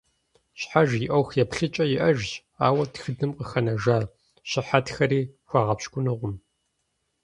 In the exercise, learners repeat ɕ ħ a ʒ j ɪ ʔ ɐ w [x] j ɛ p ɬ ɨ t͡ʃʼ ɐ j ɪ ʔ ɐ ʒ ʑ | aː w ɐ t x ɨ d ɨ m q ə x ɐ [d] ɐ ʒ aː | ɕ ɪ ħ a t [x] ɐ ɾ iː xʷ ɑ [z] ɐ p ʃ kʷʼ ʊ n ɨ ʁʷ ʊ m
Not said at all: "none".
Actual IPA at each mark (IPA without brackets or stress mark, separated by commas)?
x, n, x, ʁ